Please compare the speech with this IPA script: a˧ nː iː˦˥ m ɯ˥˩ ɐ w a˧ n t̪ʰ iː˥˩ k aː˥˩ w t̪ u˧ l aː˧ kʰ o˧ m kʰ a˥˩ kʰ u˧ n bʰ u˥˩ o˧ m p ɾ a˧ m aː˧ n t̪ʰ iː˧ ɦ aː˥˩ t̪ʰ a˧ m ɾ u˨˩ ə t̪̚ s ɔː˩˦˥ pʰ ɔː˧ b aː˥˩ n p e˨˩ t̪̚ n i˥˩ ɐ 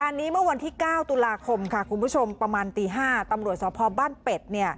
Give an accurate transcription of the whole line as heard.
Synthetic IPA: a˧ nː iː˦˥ m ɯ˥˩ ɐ w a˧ n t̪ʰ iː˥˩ k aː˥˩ w t̪ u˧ l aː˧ kʰ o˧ m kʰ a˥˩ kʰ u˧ n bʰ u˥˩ o˧ m p ɾ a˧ m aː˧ n t̪ iː˧ ɦ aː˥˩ t̪ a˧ m ɾ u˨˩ ə t̪̚ s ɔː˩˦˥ pʰ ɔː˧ b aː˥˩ n p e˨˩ t̪̚ n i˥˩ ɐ